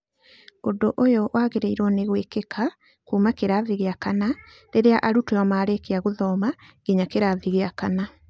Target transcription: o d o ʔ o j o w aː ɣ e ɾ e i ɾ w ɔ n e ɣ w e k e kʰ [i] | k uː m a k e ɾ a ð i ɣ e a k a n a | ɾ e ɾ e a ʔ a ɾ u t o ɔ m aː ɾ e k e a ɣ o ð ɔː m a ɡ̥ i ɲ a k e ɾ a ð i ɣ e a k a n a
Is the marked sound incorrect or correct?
incorrect: a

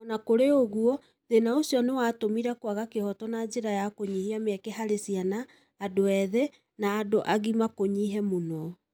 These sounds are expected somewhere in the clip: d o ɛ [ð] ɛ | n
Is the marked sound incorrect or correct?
correct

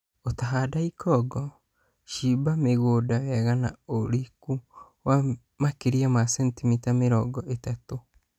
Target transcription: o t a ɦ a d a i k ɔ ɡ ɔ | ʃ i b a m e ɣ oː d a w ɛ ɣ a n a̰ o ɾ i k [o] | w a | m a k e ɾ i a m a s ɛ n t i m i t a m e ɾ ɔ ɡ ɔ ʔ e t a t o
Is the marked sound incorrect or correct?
incorrect: u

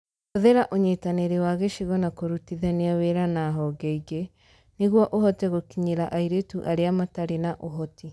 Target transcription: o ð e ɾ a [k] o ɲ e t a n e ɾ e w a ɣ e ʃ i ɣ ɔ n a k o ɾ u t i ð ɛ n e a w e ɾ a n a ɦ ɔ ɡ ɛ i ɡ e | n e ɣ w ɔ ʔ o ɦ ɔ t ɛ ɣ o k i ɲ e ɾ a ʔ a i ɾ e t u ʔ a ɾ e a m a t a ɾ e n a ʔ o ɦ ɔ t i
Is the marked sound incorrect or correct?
incorrect: ʔ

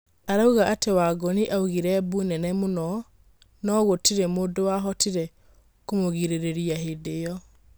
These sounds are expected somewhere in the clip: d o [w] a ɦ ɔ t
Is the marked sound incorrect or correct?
correct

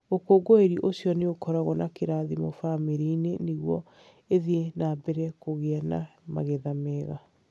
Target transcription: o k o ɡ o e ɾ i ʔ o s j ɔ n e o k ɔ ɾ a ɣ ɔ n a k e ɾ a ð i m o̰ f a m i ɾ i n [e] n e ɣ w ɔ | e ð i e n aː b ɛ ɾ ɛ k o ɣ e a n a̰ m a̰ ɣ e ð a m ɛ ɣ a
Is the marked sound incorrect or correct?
correct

